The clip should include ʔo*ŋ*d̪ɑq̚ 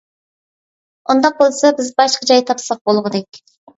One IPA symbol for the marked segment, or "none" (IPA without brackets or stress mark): n